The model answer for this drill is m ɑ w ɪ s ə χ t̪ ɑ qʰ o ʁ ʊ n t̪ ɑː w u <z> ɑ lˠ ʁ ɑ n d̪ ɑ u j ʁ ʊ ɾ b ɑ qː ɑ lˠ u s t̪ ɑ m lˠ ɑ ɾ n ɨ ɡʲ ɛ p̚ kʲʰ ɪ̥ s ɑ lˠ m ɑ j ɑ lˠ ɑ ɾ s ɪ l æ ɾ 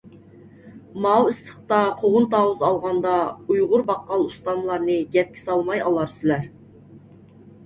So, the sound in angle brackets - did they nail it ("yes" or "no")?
yes